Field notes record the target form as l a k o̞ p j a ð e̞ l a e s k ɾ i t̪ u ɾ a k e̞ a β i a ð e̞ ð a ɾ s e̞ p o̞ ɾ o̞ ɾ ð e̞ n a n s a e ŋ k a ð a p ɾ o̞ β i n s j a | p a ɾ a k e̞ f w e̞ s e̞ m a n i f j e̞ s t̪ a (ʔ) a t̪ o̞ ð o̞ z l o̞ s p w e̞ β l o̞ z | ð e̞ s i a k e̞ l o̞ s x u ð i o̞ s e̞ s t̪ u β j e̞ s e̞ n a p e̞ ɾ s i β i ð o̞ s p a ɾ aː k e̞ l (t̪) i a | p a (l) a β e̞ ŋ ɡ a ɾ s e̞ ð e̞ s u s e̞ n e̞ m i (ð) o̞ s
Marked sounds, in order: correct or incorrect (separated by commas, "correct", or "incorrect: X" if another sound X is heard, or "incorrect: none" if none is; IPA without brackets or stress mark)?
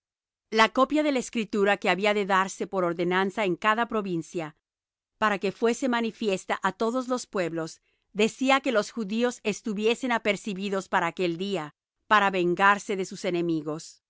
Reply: correct, incorrect: d̪, incorrect: ɾ, incorrect: ɣ